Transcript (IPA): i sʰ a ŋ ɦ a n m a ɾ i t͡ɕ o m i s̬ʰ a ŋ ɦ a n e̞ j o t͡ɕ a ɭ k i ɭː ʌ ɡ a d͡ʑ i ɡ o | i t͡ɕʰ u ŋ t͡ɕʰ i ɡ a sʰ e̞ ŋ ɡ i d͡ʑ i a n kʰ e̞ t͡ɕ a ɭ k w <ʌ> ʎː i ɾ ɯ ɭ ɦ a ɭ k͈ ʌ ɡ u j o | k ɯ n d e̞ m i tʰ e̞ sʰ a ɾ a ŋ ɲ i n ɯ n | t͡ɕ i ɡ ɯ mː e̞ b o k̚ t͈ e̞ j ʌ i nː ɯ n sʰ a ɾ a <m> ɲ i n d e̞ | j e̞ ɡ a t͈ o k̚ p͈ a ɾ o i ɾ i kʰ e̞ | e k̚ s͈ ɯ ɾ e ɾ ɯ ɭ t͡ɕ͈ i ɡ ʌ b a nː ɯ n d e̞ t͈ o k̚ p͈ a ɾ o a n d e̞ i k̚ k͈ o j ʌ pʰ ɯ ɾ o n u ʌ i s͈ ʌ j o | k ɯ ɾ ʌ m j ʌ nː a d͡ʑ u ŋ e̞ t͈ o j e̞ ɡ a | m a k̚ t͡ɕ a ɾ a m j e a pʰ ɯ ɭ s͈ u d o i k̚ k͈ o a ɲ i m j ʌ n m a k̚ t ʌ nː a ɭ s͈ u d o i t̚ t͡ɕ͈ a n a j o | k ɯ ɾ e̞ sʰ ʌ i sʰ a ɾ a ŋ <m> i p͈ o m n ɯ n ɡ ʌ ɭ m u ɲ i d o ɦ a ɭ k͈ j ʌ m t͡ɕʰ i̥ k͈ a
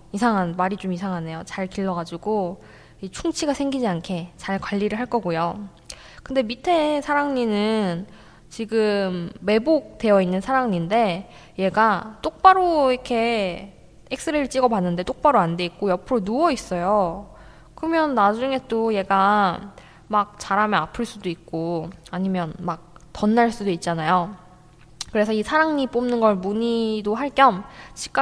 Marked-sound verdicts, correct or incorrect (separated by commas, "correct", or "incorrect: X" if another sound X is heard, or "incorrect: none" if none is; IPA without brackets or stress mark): incorrect: a, incorrect: ŋ, incorrect: ɲ